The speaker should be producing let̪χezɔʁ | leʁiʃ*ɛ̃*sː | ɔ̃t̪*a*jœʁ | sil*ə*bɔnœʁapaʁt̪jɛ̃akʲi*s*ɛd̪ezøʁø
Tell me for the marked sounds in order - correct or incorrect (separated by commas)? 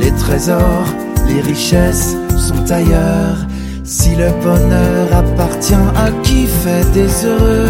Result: incorrect, correct, correct, incorrect